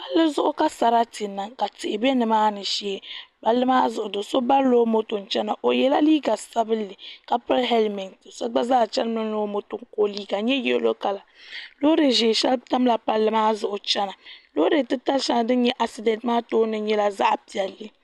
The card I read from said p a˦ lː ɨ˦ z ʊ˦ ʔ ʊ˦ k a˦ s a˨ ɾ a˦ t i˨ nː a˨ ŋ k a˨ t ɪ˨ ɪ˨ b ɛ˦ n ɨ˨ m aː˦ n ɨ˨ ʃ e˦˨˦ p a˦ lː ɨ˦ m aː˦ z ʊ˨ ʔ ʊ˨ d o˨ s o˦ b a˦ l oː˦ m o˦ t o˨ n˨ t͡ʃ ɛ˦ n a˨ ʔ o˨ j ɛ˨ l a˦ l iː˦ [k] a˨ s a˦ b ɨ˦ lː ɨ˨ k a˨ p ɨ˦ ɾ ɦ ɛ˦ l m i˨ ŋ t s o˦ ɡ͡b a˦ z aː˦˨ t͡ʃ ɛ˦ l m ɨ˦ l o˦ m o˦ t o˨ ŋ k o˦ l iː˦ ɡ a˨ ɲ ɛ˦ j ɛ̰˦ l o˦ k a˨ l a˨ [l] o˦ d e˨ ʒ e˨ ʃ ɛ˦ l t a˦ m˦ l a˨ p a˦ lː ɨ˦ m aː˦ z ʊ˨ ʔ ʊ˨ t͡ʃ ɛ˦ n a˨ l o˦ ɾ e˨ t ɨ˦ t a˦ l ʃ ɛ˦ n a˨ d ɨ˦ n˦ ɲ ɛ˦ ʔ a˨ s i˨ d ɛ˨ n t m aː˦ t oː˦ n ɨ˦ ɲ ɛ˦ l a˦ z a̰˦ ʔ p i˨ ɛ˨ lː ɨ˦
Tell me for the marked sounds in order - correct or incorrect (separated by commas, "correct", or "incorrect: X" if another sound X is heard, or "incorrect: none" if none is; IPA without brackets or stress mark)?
incorrect: ɡ, correct